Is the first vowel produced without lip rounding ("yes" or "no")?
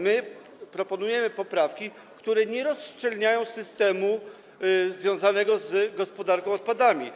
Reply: yes